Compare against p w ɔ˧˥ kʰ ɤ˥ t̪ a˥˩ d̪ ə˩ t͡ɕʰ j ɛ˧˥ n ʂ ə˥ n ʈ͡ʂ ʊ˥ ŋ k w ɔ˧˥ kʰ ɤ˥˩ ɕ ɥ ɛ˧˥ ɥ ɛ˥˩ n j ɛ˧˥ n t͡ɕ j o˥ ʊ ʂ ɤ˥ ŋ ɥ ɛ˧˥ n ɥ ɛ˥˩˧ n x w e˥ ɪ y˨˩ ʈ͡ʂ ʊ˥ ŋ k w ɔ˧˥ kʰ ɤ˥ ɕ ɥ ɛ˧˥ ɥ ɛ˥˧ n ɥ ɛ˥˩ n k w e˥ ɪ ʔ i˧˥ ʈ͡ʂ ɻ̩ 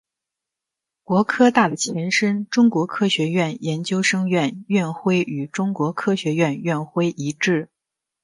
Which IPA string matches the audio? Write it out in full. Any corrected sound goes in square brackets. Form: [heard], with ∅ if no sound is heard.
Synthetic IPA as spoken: [k] w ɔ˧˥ kʰ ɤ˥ t̪ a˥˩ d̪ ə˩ t͡ɕʰ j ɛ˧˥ n ʂ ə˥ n ʈ͡ʂ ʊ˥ ŋ k w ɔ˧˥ kʰ [ɤ˥] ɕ ɥ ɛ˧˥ ɥ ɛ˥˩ n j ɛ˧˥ n t͡ɕ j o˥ ʊ ʂ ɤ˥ ŋ ɥ [ɛ˥˩] n ɥ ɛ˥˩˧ n x w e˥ ɪ y˨˩ ʈ͡ʂ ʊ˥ ŋ k w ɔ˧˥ kʰ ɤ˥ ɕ ɥ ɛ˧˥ ɥ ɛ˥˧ n ɥ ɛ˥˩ n [x] w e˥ ɪ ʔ i˧˥ ʈ͡ʂ ɻ̩